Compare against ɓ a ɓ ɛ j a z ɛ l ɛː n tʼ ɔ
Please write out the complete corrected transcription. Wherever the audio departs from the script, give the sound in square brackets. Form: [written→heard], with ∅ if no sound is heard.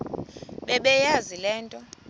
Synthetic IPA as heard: ɓ [a→ɛ] ɓ ɛ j a z [ɛ→i] l ɛː n tʼ ɔ